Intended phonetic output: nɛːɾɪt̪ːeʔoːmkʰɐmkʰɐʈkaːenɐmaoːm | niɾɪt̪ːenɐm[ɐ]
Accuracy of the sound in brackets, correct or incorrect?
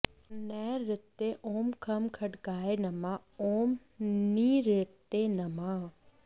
incorrect